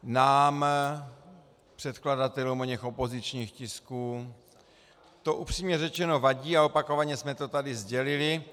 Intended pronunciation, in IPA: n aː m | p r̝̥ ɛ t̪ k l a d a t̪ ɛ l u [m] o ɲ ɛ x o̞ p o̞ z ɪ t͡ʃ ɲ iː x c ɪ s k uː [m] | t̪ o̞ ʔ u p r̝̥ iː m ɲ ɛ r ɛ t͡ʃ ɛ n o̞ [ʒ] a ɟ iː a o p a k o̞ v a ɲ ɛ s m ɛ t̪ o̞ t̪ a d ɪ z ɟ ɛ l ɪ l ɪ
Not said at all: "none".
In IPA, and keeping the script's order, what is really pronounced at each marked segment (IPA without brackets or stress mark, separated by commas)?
m, none, v